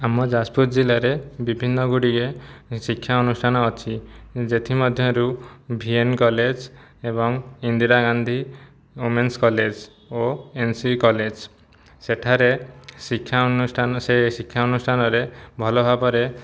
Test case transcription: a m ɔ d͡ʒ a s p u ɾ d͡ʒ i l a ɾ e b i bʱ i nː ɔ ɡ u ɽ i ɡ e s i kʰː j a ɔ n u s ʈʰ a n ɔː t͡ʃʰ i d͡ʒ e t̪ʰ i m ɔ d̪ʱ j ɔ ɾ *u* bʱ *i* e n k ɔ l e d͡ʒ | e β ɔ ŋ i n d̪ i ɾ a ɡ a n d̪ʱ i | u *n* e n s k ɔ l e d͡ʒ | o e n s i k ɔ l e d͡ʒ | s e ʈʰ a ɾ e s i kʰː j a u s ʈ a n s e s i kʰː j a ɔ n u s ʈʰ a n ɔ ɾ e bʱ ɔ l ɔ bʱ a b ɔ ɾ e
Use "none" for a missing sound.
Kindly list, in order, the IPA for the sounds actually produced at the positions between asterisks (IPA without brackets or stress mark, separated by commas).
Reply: u, i, m